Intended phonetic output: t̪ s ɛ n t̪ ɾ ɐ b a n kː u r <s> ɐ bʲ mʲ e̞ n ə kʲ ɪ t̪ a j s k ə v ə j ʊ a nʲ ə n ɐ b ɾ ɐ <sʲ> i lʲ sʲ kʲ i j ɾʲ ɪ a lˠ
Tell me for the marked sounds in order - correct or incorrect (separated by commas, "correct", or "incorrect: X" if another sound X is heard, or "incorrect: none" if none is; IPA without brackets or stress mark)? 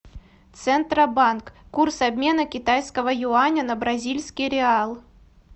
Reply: correct, incorrect: zʲ